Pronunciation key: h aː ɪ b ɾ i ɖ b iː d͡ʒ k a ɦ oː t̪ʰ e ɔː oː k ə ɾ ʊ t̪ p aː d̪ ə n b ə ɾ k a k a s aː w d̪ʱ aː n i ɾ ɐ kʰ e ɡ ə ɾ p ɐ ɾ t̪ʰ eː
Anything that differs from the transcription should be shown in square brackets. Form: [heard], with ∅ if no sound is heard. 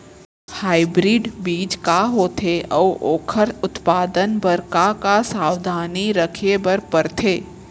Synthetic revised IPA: h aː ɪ b ɾ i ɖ b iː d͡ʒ k a ɦ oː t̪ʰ e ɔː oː [kʰ] ə ɾ ʊ t̪ p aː d̪ ə n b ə ɾ k a k a s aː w d̪ʱ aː n i ɾ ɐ kʰ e [b] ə ɾ p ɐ ɾ t̪ʰ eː